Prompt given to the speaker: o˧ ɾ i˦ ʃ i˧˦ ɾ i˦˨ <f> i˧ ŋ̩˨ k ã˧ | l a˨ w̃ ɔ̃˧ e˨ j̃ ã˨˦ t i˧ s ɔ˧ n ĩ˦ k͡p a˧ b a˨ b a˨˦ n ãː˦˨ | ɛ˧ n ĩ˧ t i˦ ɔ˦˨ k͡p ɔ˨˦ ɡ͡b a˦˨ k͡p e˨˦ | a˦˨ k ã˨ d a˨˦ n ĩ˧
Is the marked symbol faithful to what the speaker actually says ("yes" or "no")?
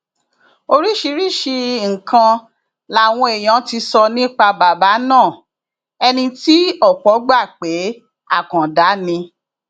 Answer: no